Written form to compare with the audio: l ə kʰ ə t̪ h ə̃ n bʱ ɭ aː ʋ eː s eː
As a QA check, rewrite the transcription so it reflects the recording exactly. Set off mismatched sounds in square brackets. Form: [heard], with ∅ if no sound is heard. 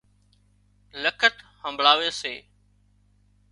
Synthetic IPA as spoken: l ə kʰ ə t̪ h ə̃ [m] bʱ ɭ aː ʋ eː s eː